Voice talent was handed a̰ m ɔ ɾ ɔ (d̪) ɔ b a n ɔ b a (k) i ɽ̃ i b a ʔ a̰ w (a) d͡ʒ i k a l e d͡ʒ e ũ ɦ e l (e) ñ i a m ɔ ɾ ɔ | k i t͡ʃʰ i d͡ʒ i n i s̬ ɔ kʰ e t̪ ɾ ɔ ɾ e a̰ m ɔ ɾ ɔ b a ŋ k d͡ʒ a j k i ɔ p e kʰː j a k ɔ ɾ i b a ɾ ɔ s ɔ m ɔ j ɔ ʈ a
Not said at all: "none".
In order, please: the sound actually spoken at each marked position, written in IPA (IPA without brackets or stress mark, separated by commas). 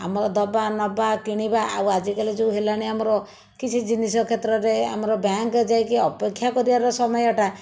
d̪, k, a, a